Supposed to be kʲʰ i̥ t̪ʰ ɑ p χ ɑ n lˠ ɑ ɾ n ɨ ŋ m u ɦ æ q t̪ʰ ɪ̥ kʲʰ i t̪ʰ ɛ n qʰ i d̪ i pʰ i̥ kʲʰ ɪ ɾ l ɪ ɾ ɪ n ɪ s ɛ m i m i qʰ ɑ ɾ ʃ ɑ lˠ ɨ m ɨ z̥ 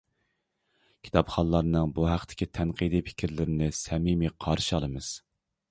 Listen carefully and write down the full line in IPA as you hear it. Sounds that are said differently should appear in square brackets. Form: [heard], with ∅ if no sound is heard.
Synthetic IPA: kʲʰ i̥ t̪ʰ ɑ p χ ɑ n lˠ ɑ ɾ n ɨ ŋ [b] u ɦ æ q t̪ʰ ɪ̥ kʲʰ i t̪ʰ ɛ n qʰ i d̪ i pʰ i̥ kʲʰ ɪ ɾ l ɪ ɾ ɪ n ɪ s ɛ m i m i qʰ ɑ ɾ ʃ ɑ lˠ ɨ m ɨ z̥